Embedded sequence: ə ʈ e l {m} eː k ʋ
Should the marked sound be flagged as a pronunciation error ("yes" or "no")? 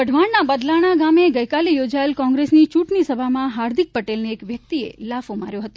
yes